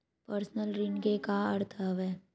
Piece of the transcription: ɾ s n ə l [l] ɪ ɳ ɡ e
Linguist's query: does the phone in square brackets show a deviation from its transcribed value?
yes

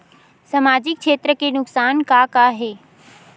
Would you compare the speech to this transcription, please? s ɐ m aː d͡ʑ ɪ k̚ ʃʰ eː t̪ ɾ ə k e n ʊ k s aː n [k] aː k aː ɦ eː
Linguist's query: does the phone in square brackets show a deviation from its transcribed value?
no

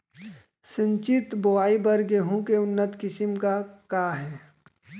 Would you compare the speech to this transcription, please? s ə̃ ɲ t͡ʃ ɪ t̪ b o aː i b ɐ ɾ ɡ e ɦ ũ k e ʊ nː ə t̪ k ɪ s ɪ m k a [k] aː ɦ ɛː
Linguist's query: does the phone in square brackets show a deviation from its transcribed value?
no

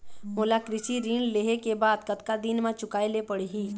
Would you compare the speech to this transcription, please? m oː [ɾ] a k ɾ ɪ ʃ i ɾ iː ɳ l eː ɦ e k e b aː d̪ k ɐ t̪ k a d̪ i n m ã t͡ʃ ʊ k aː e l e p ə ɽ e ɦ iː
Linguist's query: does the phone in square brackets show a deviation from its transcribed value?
yes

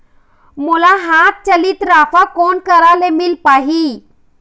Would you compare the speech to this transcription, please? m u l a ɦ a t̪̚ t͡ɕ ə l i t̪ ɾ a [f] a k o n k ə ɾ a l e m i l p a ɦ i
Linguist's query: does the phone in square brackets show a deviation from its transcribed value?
no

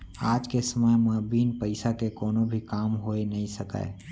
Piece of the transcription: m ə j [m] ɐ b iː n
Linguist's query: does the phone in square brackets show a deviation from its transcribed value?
no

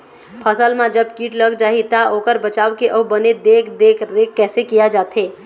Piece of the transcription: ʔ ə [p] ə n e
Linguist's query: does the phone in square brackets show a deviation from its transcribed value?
yes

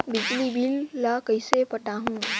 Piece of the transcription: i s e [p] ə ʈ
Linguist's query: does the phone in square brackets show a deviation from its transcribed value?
no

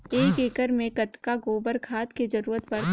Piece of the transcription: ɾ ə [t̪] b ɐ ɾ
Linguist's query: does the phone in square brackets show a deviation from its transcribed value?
no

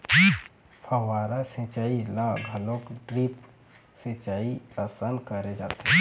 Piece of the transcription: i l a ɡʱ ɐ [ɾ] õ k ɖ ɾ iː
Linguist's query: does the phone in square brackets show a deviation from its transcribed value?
yes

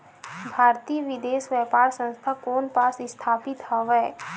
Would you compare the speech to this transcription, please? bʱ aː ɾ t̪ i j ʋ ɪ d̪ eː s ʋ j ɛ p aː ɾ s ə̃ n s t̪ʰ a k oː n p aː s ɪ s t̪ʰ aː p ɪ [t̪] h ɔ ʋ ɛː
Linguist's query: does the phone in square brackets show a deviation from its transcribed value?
no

